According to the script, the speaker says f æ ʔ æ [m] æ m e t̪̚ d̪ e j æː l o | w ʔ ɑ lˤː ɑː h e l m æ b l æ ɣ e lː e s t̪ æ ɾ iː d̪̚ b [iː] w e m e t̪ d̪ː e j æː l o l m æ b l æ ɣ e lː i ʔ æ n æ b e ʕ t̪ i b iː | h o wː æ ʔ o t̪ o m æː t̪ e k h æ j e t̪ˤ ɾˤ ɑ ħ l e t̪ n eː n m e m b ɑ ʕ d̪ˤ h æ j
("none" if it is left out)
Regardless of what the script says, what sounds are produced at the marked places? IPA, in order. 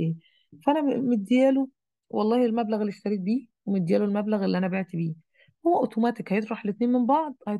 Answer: n, iː

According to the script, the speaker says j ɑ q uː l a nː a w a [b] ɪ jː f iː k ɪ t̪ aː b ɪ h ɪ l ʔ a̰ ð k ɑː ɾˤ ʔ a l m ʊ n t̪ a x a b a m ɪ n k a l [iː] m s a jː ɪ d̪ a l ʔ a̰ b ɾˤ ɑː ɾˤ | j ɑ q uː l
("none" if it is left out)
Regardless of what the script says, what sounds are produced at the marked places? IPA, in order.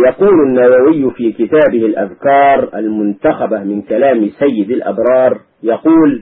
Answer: w, aː

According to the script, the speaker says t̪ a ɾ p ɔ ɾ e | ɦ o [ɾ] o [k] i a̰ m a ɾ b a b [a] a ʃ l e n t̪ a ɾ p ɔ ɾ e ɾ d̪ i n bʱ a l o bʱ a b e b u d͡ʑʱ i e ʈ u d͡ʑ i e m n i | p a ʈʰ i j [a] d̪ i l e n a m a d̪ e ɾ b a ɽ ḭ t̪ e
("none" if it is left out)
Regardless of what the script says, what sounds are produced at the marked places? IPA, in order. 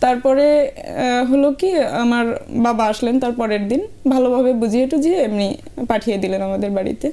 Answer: l, k, a, e

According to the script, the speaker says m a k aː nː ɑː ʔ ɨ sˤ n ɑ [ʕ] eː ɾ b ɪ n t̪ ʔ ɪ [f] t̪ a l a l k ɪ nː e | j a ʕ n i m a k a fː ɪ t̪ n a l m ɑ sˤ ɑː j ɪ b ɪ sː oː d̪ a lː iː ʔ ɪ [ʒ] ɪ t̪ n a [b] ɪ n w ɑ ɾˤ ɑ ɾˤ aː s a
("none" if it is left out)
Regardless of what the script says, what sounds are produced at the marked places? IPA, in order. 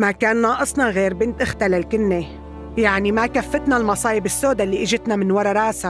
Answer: ɣ, x, ʒ, m

